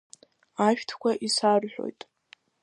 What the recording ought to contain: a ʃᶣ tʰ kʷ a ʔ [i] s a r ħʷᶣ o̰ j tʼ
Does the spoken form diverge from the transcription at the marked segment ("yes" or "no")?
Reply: no